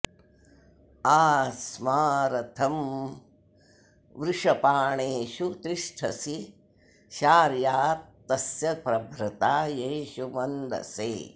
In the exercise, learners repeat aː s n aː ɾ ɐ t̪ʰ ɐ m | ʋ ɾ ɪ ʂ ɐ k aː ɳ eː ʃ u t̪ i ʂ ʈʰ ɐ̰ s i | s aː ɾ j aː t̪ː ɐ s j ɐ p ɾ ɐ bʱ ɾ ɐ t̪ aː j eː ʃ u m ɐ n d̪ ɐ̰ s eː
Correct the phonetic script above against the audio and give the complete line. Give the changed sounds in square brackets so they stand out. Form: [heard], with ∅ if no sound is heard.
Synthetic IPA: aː s [m] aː ɾ ɐ t̪ʰ ɐ m | ʋ ɾ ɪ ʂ ɐ [p] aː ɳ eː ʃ u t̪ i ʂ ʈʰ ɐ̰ s i | [ʃ] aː ɾ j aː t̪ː ɐ s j ɐ p ɾ ɐ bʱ ɾ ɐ t̪ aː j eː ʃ u m ɐ n d̪ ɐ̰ s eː

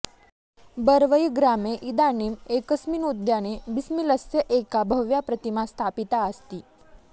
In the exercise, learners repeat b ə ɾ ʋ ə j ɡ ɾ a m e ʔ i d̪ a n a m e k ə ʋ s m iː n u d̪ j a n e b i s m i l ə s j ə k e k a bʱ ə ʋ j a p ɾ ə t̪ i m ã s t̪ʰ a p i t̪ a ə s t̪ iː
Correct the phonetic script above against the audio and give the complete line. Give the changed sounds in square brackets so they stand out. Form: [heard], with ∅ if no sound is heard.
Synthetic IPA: b ə ɾ ʋ ə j ɡ ɾ a m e ʔ i d̪ a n [i] m e k ə [∅] s m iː n u d̪ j a n e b i s m i l ə s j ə [ʔ] e k a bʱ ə ʋ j a p ɾ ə t̪ i m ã s t̪ʰ a p i t̪ a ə s t̪ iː

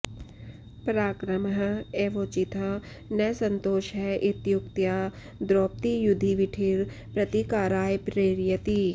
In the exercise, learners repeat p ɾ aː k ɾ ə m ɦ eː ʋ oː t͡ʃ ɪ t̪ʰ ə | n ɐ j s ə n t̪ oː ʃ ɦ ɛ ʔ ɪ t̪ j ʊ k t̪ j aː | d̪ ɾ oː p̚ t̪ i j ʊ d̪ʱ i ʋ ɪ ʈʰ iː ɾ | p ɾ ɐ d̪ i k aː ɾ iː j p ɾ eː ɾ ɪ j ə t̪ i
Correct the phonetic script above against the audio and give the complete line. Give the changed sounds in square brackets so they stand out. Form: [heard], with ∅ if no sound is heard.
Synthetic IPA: p ɾ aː k ɾ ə m ɦ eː ʋ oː t͡ʃ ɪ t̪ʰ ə | n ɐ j s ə n t̪ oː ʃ ɦ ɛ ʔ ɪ t̪ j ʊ k t̪ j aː | d̪ ɾ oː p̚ t̪ i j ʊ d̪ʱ i ʋ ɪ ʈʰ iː ɾ | p ɾ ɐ [t̪] i k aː ɾ [aː] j p ɾ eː ɾ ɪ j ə t̪ i

